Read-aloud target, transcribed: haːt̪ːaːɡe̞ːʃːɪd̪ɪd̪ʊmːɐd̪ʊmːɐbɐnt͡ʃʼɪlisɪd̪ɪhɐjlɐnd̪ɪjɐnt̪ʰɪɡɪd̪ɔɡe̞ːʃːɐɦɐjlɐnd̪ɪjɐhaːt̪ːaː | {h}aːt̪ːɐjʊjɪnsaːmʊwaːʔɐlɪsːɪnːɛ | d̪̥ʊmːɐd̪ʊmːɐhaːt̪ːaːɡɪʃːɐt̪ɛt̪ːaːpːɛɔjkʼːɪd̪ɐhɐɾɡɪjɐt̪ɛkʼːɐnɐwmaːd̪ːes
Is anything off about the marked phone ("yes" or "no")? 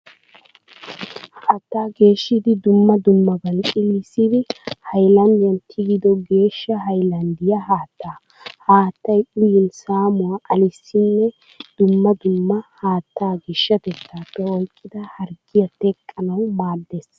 no